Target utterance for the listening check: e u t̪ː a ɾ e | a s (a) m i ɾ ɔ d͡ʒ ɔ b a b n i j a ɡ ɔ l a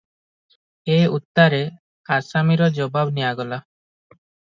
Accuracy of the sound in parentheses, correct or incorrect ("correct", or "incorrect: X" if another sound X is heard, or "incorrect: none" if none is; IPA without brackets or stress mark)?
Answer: correct